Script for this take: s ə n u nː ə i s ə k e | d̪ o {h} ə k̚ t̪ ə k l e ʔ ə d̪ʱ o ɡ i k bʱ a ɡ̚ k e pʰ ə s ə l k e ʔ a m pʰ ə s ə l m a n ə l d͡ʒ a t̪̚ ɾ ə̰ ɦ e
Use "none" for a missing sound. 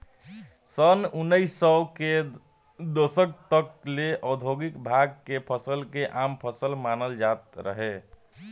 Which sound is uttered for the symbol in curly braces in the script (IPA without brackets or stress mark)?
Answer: s